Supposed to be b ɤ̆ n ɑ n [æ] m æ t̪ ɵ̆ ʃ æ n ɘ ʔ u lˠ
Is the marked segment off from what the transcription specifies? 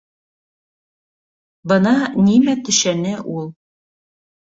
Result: yes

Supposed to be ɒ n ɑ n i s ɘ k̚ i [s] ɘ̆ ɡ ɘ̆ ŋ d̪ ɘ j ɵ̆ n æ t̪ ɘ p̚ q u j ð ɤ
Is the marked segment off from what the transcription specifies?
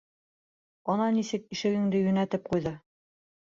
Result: yes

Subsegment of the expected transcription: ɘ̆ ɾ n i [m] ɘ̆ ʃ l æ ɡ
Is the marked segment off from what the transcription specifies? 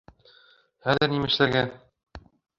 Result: no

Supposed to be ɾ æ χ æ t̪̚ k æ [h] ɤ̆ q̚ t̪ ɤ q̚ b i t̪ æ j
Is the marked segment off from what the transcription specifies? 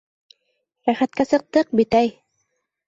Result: yes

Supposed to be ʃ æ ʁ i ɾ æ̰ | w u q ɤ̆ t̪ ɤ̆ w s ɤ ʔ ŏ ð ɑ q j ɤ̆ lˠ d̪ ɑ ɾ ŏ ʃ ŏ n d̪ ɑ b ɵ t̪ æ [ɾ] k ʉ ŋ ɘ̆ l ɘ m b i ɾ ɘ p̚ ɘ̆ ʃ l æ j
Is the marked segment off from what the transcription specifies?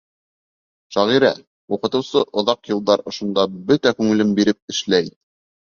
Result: yes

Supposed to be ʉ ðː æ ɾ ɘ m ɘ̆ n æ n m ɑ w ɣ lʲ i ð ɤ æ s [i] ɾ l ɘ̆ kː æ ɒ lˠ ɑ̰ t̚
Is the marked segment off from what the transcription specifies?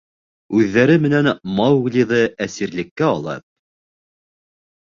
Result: no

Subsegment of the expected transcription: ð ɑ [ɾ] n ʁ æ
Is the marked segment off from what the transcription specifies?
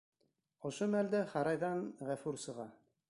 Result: yes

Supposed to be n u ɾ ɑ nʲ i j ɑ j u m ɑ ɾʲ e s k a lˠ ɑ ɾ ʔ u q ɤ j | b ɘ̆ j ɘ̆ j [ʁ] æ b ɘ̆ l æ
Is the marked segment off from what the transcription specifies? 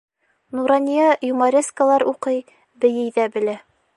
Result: yes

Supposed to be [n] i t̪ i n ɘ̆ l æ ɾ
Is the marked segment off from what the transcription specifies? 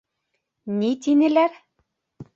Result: no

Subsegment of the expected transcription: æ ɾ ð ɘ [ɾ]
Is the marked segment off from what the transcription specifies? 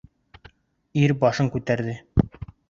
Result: yes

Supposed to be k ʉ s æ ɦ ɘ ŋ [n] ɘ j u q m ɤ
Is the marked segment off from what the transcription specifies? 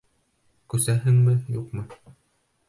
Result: yes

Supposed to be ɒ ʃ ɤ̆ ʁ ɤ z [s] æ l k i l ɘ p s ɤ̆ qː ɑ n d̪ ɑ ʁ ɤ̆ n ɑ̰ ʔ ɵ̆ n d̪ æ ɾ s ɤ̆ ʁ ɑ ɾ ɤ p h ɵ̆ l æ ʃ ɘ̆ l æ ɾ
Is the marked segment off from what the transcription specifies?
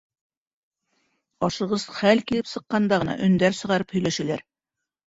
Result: yes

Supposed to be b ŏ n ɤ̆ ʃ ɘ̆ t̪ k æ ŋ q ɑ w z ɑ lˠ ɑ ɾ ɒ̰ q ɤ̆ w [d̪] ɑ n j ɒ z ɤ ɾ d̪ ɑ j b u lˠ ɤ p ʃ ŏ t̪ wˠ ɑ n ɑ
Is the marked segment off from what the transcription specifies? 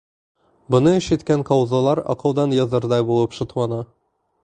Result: no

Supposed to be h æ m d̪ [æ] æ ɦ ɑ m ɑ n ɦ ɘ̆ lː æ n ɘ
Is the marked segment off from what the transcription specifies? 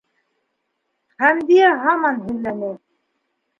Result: yes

